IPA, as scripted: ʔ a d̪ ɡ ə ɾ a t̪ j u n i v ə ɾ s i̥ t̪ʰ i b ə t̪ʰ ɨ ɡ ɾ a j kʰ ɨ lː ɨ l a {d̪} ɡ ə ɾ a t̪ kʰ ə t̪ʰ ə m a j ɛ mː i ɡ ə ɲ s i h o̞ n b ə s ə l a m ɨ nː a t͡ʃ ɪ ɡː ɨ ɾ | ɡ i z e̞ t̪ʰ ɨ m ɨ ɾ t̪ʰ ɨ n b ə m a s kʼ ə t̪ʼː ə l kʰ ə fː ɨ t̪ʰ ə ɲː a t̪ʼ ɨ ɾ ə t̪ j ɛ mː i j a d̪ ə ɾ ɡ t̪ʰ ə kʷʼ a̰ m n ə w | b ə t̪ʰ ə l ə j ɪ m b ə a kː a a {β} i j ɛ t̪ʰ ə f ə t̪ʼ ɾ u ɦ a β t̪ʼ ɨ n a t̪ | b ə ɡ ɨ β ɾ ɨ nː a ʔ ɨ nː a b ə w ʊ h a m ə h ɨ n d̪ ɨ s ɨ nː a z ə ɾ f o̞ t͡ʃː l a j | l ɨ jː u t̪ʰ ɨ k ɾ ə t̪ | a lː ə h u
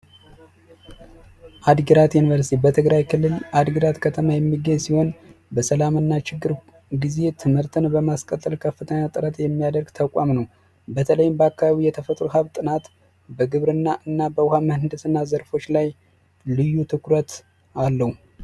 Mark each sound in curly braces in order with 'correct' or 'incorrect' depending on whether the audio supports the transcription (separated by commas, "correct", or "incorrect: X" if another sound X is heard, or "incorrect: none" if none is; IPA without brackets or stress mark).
correct, correct